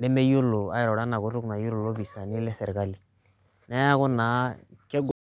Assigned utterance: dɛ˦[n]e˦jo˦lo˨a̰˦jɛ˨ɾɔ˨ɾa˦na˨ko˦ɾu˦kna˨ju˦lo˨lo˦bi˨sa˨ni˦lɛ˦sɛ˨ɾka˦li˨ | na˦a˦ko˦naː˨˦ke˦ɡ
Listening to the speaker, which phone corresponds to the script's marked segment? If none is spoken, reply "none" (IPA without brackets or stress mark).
m